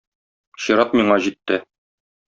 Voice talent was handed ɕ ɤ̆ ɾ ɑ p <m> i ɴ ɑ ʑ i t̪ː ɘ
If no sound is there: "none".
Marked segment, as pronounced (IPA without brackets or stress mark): m